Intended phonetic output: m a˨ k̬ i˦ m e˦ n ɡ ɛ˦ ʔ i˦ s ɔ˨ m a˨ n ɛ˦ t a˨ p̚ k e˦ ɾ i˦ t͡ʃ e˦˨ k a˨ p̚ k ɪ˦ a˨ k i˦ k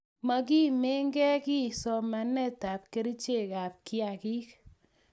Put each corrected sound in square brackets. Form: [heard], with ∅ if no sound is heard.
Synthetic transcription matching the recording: m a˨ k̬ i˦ m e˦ [ŋ] ɡ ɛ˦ [k] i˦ s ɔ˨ m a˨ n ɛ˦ t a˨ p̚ k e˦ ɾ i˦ t͡ʃ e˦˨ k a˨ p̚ k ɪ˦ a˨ k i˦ k